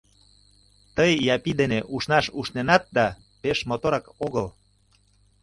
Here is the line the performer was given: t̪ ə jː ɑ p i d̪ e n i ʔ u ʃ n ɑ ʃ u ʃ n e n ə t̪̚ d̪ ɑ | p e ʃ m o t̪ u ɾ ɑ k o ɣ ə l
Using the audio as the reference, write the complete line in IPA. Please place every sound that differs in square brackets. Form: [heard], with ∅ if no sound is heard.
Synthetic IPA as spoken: t̪ ə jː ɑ p i d̪ e n [e] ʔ u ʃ n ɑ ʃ u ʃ n e n [ɑ] t̪̚ d̪ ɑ | p e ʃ m o t̪ [o] ɾ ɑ k o ɣ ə l